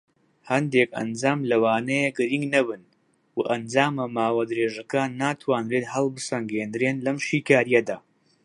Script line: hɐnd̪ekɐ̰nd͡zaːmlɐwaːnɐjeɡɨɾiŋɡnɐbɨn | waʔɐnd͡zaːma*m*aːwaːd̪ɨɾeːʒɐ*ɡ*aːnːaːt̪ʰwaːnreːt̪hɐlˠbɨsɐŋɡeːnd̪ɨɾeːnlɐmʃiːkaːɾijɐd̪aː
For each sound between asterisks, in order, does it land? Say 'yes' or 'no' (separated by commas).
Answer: yes, no